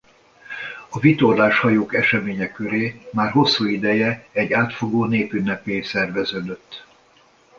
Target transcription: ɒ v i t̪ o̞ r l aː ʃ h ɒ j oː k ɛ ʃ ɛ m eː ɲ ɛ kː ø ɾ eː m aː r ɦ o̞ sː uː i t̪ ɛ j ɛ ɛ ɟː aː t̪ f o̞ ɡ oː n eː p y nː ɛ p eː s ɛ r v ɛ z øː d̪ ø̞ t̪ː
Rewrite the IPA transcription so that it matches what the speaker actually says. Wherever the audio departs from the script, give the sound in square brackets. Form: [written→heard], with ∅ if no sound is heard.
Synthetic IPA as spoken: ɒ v i t̪ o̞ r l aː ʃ h ɒ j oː k ɛ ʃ ɛ m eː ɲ ɛ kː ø ɾ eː m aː r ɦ o̞ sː uː i [t̪→d̪] ɛ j ɛ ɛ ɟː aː t̪ f o̞ ɡ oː n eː p y nː ɛ p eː s ɛ r v ɛ z øː d̪ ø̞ t̪ː

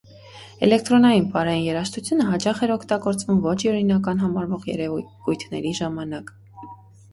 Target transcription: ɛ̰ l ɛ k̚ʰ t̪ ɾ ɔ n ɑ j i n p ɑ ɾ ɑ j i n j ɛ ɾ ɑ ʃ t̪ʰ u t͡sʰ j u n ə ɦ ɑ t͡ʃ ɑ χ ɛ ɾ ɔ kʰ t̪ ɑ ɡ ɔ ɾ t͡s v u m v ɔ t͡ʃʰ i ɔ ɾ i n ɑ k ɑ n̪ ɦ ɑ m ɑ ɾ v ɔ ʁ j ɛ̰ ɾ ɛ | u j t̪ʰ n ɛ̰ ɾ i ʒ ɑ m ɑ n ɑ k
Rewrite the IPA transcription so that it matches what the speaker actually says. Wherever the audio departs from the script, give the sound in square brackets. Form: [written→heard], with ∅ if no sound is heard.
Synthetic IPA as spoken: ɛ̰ l ɛ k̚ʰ t̪ ɾ ɔ n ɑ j i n p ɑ ɾ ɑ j i n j ɛ ɾ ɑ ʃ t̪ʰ u t͡sʰ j u n ə ɦ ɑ t͡ʃ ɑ χ ɛ ɾ ɔ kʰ t̪ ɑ ɡ ɔ ɾ t͡s v u m v ɔ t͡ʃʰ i ɔ ɾ i n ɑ k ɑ n̪ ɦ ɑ m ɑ ɾ v ɔ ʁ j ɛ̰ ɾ ɛ | u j t̪ʰ n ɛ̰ ɾ i ʒ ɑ m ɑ n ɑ k

